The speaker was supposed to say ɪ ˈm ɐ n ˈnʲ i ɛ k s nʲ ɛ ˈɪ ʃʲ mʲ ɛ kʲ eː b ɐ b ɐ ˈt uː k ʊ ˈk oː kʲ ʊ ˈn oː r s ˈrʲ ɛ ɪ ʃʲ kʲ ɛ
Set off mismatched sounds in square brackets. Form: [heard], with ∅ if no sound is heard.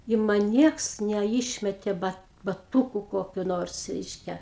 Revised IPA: ɪ ˈm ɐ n ˈnʲ i ɛ k s nʲ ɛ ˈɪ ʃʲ mʲ ɛ [tʲ] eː b ɐ b ɐ ˈt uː k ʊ ˈk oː kʲ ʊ ˈn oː r s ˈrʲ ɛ ɪ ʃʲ kʲ ɛ

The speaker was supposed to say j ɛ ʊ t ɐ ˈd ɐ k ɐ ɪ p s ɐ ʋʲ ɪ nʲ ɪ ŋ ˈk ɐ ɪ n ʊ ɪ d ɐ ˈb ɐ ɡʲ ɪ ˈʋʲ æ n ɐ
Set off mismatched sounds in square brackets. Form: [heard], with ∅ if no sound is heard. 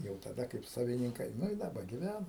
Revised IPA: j ɛ ʊ t ɐ ˈd ɐ k ɐ ɪ p s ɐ ʋʲ ɪ nʲ ɪ ŋ ˈk ɐ ɪ n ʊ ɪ d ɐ ˈb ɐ ɡʲ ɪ ˈʋʲ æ n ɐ

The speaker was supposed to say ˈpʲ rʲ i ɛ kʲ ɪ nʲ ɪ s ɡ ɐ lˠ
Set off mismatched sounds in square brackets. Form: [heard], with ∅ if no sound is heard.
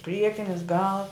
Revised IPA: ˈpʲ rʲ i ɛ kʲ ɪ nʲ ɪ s ɡ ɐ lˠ

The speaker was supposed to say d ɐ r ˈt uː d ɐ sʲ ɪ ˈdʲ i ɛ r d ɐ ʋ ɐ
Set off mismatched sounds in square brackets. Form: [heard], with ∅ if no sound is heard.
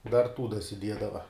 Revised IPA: d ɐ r ˈt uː d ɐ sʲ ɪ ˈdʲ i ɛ [∅] d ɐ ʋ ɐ

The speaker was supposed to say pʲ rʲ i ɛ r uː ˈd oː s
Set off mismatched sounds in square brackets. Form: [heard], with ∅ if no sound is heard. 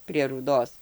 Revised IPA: pʲ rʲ i ɛ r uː ˈd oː s

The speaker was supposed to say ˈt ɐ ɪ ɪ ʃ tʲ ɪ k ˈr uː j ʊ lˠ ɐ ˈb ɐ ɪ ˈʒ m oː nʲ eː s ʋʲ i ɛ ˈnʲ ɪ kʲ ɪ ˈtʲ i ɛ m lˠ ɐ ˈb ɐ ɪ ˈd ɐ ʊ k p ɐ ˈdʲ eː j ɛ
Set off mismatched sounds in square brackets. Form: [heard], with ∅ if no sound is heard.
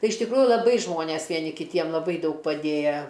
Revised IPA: ˈt ɐ ɪ ɪ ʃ tʲ ɪ k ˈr uː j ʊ lˠ ɐ ˈb ɐ ɪ ˈʒ m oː nʲ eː s ʋʲ i ɛ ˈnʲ ɪ kʲ ɪ ˈtʲ i ɛ m lˠ ɐ ˈb ɐ ɪ ˈd ɐ ʊ k p ɐ ˈdʲ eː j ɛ

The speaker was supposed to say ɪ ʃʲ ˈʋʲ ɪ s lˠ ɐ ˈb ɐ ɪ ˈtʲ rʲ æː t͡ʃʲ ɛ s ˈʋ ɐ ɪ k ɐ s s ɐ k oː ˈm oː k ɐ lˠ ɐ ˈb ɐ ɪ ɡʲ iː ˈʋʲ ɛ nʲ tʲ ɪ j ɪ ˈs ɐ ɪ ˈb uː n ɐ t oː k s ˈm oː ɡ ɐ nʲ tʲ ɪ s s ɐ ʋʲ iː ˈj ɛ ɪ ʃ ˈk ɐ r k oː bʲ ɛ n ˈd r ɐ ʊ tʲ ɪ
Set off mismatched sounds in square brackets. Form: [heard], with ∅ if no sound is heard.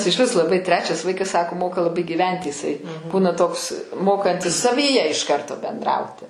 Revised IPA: ɪ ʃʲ ˈʋʲ ɪ s lˠ ɐ ˈb ɐ ɪ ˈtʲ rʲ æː t͡ʃʲ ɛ s ˈʋ ɐ ɪ k ɐ s s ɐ k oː ˈm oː k ɐ lˠ ɐ ˈb ɐ ɪ ɡʲ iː ˈʋʲ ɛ nʲ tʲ ɪ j ɪ ˈs ɐ ɪ ˈb uː n ɐ t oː k s ˈm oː [k] ɐ nʲ tʲ ɪ s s ɐ ʋʲ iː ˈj ɛ ɪ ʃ ˈk ɐ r [t] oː bʲ ɛ n ˈd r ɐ ʊ tʲ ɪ

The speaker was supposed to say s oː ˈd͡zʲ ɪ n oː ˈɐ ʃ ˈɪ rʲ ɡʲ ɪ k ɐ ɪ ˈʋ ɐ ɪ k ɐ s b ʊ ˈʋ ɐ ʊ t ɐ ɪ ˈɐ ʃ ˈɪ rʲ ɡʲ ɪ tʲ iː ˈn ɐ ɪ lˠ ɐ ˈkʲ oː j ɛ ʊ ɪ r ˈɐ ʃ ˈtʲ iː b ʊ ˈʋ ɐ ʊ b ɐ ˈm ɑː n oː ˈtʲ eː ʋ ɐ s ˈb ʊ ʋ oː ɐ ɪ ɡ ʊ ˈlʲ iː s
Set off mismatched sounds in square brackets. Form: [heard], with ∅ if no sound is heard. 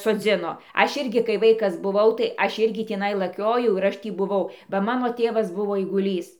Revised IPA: s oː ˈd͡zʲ ɪ n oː ˈɐ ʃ ˈɪ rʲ ɡʲ ɪ k ɐ ɪ ˈʋ ɐ ɪ k ɐ s b ʊ ˈʋ ɐ ʊ t ɐ ɪ ˈɐ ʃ ˈɪ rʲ ɡʲ ɪ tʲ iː ˈn ɐ ɪ lˠ ɐ ˈkʲ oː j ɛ ʊ ɪ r ˈɐ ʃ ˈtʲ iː b ʊ ˈʋ ɐ ʊ b ɐ ˈm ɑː n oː ˈtʲ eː ʋ ɐ s ˈb ʊ ʋ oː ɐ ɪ ɡ ʊ ˈlʲ iː s

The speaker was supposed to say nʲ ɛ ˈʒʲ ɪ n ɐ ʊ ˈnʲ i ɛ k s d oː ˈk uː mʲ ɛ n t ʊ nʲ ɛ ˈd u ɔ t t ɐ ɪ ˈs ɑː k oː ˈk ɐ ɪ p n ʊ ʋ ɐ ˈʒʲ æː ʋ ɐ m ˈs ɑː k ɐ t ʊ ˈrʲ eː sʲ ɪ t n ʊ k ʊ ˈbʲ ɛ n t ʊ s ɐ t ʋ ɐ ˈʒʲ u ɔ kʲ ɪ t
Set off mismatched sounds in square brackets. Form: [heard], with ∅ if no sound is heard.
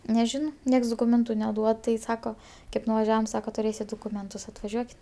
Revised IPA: nʲ ɛ ˈʒʲ ɪ n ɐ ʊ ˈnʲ i ɛ k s d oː ˈk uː mʲ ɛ n t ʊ nʲ ɛ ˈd u ɔ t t ɐ ɪ ˈs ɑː k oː ˈk ɐ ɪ p n ʊ ʋ ɐ ˈʒʲ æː ʋ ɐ m ˈs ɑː k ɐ t ʊ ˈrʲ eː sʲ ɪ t [d] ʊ k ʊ [ˈmʲ] ɛ n t ʊ s ɐ t ʋ ɐ ˈʒʲ u ɔ kʲ ɪ t

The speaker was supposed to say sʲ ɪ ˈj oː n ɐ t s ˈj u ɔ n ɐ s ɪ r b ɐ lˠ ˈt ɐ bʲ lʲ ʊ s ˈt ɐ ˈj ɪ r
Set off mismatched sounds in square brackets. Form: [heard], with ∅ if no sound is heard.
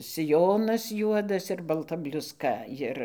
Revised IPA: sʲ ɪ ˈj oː n ɐ [∅] s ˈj u ɔ [d] ɐ s ɪ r b ɐ lˠ ˈt ɐ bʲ lʲ ʊ s [ˈk] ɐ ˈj ɪ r

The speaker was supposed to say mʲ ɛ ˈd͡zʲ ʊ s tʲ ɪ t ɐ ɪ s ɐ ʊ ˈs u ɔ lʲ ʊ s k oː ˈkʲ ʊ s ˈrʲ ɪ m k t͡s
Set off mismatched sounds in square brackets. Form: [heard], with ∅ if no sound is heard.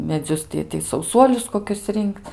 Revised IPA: mʲ ɛ ˈd͡zʲ ʊ s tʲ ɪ t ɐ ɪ s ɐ ʊ ˈs u ɔ lʲ ʊ s k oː ˈkʲ ʊ s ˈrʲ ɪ [ŋ] k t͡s

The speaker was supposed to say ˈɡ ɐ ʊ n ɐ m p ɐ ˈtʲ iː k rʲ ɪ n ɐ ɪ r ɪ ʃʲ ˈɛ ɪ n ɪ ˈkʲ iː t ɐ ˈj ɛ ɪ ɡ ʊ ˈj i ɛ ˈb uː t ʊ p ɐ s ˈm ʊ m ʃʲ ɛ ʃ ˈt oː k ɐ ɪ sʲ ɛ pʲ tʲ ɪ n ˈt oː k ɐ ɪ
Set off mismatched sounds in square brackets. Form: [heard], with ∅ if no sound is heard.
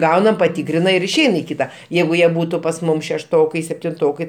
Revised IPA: ˈɡ ɐ ʊ n ɐ m p ɐ ˈtʲ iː k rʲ ɪ n ɐ ɪ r ɪ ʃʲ ˈɛ ɪ n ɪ ˈkʲ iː t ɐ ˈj ɛ ɪ ɡ ʊ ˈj i ɛ ˈb uː t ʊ p ɐ s ˈm ʊ m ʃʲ ɛ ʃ ˈt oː k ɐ ɪ sʲ ɛ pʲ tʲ ɪ n ˈt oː k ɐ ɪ

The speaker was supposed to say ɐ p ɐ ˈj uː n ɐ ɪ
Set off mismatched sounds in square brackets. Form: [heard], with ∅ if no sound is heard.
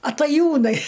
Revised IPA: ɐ [t] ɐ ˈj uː n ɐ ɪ

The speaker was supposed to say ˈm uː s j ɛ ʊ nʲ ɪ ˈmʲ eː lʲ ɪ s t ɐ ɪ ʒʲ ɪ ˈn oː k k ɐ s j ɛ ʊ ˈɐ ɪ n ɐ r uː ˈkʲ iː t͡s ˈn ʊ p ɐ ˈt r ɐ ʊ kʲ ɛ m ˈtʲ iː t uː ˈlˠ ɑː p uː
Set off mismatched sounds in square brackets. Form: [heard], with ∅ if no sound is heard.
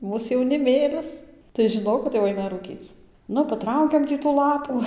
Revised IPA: ˈm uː s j ɛ ʊ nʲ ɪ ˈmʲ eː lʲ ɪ s t ɐ ɪ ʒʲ ɪ ˈn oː k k ɐ [t] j ɛ ʊ ˈɐ ɪ n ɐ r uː ˈkʲ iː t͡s ˈn ʊ p ɐ ˈt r ɐ ʊ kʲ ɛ m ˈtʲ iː t uː ˈlˠ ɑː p uː

